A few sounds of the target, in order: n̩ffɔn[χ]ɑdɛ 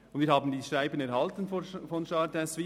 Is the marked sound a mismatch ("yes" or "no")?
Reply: yes